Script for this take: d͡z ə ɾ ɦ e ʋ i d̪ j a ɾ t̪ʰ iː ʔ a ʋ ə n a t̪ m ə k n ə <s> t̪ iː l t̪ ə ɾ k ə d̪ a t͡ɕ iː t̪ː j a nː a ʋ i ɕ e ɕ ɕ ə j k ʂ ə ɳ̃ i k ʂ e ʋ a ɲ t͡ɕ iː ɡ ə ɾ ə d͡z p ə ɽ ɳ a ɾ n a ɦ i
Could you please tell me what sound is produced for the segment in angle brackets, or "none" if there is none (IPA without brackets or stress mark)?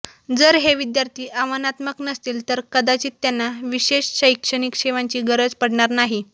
s